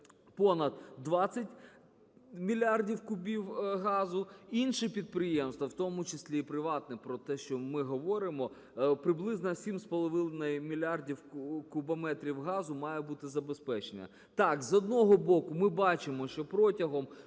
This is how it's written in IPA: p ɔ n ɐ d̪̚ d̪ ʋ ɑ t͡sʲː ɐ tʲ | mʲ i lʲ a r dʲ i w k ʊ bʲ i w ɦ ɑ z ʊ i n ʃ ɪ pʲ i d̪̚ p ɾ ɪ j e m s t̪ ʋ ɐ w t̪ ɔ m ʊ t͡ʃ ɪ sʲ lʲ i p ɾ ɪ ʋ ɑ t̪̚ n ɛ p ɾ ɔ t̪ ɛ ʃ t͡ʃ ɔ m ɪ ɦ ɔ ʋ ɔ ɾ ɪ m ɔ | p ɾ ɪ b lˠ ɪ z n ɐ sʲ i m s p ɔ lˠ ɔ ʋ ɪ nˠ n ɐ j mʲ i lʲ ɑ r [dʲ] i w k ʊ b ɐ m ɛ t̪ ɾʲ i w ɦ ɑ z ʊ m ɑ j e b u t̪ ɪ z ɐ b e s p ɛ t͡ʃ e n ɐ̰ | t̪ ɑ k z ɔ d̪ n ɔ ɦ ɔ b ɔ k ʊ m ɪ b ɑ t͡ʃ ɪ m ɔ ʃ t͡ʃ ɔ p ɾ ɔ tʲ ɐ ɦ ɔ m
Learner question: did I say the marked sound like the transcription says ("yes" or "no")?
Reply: yes